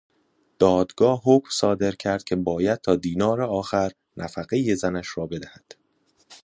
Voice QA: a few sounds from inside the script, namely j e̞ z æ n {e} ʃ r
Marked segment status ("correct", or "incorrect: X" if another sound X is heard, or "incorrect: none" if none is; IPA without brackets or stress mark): incorrect: æ